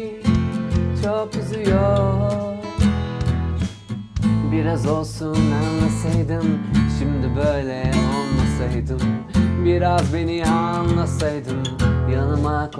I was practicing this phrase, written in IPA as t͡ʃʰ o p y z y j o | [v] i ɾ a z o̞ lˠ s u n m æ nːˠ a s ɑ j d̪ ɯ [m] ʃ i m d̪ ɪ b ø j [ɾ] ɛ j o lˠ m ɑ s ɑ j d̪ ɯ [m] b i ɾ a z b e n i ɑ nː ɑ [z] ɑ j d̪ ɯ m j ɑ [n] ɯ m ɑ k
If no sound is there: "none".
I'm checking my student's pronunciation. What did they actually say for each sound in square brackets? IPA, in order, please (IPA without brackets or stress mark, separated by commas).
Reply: b, m, l, m, s, n